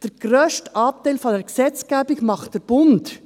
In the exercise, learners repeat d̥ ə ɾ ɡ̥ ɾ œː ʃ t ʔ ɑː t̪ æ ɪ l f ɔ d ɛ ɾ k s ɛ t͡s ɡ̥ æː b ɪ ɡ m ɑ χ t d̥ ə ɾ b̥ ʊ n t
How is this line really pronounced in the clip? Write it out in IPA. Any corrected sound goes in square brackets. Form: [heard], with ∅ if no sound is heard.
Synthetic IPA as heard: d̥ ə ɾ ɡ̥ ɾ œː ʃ t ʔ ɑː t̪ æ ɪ l f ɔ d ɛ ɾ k s ɛ t͡s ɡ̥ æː b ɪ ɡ m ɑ χ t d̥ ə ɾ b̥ ʊ n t